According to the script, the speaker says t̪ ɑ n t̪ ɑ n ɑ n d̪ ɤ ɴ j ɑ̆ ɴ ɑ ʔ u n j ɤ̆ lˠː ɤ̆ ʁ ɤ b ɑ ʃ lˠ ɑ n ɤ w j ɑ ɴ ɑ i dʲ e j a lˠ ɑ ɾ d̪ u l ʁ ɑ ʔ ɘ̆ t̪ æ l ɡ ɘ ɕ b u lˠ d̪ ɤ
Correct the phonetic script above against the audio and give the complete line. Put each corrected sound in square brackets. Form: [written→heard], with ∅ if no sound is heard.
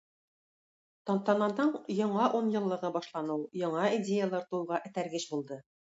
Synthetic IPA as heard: t̪ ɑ n t̪ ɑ n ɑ n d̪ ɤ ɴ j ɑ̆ ɴ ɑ ʔ u n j ɤ̆ lˠː ɤ̆ ʁ ɤ b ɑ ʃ lˠ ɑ n ɤ w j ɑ ɴ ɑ i dʲ e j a lˠ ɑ ɾ [d̪→t̪] u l ʁ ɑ ʔ ɘ̆ t̪ æ [l→ɾ] ɡ ɘ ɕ b u lˠ d̪ ɤ

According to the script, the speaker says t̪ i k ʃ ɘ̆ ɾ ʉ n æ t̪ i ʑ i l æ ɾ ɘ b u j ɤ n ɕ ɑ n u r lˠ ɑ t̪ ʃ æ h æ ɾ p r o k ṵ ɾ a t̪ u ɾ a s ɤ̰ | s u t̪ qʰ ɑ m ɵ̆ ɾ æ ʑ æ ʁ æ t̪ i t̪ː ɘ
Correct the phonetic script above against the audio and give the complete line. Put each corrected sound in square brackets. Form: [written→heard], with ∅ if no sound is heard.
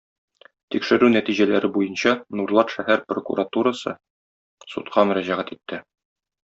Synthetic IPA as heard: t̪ i k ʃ ɘ̆ ɾ ʉ n æ t̪ i ʑ [i→æ] l æ ɾ ɘ b u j ɤ n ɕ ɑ n u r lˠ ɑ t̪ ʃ æ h æ ɾ p r o k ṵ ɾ a t̪ u ɾ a s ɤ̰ | s u t̪ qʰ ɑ m ɵ̆ ɾ æ ʑ æ ʁ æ t̪ i t̪ː ɘ

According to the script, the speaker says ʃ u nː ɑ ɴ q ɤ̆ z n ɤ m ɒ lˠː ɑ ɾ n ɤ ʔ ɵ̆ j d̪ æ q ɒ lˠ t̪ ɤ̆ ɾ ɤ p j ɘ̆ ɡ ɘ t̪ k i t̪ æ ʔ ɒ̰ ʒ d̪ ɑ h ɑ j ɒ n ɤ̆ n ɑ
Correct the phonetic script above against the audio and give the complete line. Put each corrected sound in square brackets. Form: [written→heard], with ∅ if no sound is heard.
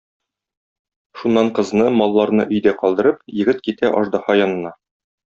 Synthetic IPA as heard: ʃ u nː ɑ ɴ q ɤ̆ z n ɤ m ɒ lˠː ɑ ɾ n ɤ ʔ ɵ̆ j d̪ æ q ɒ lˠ [t̪→d̪] ɤ̆ ɾ ɤ p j ɘ̆ ɡ ɘ t̪ k i t̪ æ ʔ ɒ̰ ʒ d̪ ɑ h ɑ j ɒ n ɤ̆ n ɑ

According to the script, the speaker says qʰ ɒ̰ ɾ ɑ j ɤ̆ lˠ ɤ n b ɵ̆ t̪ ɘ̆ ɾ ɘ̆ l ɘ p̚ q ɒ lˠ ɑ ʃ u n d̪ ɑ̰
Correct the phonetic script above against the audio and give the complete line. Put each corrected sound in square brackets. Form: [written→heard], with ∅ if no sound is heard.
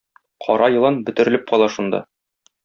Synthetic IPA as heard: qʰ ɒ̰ ɾ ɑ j ɤ̆ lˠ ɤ n b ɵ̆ t̪ ɘ̆ ɾ ɘ̆ l ɘ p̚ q ɒ lˠ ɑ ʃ u n d̪ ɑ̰

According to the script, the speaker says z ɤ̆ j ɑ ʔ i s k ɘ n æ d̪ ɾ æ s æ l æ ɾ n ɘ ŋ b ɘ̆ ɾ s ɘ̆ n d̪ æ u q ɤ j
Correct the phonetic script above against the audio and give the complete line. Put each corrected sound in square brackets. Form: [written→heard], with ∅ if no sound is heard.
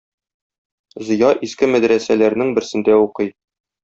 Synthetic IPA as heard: z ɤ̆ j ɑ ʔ i s k ɘ [n→m] æ d̪ ɾ æ s æ l æ ɾ n ɘ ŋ b ɘ̆ ɾ s ɘ̆ n d̪ æ u q ɤ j

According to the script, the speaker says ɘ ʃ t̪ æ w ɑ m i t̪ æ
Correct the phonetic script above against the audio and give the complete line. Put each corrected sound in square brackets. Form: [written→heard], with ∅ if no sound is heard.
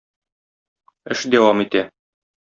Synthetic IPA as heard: ɘ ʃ [t̪→d̪] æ w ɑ m i t̪ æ

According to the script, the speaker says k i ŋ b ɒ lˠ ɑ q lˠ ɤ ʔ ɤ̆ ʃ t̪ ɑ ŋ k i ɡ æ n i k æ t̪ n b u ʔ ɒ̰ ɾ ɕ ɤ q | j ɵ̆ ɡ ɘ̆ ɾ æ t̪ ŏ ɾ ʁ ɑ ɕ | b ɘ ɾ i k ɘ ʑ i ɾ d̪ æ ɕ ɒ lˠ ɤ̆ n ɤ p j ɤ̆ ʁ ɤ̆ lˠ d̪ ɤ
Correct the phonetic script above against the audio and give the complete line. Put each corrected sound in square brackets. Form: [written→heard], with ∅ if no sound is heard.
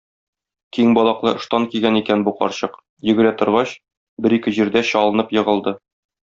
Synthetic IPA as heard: k i ŋ b ɒ lˠ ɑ q lˠ ɤ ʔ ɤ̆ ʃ t̪ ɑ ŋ k i ɡ æ n i k æ [t̪→∅] n b u [ʔ→q] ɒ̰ ɾ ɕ ɤ q | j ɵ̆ ɡ ɘ̆ ɾ æ t̪ ŏ ɾ ʁ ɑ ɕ | b ɘ ɾ i k ɘ ʑ i ɾ d̪ æ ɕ ɒ lˠ ɤ̆ n ɤ p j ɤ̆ ʁ ɤ̆ lˠ d̪ ɤ

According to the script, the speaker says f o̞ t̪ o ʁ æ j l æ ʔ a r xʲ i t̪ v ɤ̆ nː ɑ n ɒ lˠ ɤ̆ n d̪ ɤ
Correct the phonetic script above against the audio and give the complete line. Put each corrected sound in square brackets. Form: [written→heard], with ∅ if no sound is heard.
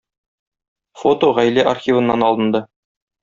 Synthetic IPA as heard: f o̞ t̪ o ʁ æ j l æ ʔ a r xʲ i [t̪→∅] v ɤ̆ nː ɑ n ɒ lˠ ɤ̆ n d̪ ɤ

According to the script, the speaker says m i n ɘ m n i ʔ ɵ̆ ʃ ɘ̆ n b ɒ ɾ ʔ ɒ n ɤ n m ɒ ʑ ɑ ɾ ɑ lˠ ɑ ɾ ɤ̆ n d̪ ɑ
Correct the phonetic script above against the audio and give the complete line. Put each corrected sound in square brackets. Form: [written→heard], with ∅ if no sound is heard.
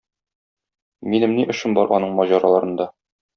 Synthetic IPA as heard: m i n ɘ m n i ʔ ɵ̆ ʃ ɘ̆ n b ɒ ɾ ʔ ɒ n ɤ [n→ɴ] m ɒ ʑ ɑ ɾ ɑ lˠ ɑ ɾ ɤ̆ n d̪ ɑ

